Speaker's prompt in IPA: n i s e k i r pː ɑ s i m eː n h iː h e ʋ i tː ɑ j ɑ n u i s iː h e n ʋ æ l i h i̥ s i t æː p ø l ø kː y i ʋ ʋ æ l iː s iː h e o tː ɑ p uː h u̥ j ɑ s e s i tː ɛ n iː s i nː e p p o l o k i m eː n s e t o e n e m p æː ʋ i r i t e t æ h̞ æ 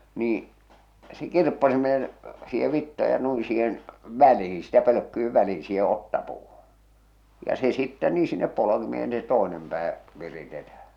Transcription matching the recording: n iː s e k i r pː ɑ s i m eː n s iː h e ʋ i tː ɑ j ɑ n u i s iː h e n ʋ æ l i h i̥ s i t æ p ø l ø kː y i ʋ ʋ æ l iː s iː h e o tː ɑ p uː h u̥ j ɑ s e s i tː ɛ n iː s i nː e p p o l o k i m eː n s e t o e n e m p æː ʋ i r i t e t æ h̞ æ